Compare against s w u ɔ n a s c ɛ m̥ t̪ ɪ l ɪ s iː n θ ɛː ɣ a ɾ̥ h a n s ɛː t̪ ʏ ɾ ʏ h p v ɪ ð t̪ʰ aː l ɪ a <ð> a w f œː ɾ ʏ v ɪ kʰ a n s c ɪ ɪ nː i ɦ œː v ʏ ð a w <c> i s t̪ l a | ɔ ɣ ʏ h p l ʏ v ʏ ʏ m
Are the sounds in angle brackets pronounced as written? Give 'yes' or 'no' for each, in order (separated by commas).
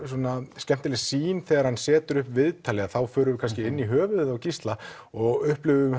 no, yes